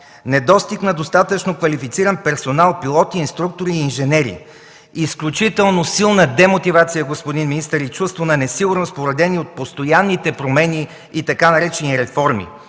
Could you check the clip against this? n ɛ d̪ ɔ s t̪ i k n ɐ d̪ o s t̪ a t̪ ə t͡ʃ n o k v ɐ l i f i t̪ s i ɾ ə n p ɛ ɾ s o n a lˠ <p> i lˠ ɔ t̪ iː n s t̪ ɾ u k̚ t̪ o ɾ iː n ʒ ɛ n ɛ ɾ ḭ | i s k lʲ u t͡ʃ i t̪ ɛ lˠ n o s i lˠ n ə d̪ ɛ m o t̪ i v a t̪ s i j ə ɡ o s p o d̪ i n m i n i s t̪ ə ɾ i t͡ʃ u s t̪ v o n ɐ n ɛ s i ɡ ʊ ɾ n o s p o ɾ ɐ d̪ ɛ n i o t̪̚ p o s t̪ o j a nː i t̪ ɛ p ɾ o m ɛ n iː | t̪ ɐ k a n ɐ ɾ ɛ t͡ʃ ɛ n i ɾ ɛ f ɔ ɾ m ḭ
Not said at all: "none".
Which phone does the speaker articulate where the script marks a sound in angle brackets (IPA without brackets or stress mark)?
p